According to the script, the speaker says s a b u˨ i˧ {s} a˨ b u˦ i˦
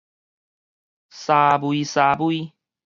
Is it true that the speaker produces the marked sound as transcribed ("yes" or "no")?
yes